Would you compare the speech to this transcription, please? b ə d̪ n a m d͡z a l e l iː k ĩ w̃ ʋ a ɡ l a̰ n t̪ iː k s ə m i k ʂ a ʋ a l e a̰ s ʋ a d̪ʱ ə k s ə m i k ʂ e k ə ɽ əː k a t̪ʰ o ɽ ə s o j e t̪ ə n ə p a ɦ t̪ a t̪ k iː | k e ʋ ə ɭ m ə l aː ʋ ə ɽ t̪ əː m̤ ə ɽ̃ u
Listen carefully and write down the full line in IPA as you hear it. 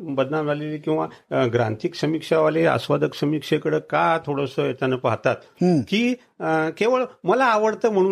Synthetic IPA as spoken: b ə d̪ n a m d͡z a l e l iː k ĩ w̃ ʋ a ɡ ɾ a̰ n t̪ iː k s ə m i k ʂ a ʋ a l e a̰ s ʋ a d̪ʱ ə k s ə m i k ʂ e k ə ɽ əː k a t̪ʰ o ɽ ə s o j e t̪ a n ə p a ɦ t̪ a t̪ k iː | k e ʋ ə ɭ m ə l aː ʋ ə ɽ t̪ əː m̤ ə ɽ̃ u